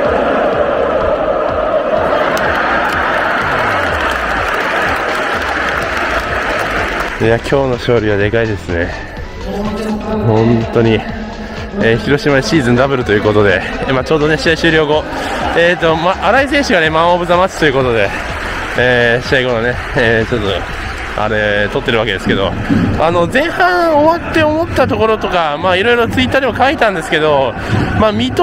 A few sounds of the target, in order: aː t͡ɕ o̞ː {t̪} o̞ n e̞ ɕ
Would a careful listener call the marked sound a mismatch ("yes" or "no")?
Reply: yes